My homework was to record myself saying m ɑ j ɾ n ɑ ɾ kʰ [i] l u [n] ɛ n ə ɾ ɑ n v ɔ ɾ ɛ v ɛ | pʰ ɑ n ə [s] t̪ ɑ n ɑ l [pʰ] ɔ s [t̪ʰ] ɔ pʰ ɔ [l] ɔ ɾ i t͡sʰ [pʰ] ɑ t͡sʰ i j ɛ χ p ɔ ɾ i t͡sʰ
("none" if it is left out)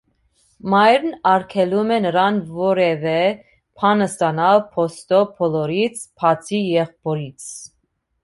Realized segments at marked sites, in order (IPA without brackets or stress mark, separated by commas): ɛ, m, s, pʰ, t̪, l, pʰ